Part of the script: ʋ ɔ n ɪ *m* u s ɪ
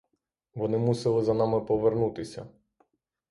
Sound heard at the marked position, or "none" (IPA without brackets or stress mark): m